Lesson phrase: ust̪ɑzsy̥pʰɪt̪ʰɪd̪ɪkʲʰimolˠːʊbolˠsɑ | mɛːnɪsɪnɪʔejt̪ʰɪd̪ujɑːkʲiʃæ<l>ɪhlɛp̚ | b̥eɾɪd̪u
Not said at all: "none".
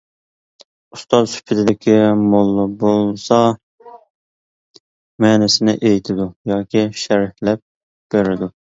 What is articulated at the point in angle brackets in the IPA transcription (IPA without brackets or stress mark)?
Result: ɾ